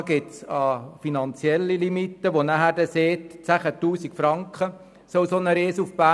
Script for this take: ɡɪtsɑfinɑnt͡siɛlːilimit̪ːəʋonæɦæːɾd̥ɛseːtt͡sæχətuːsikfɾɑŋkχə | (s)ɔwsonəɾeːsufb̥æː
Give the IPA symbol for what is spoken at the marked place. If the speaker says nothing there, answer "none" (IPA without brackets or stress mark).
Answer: s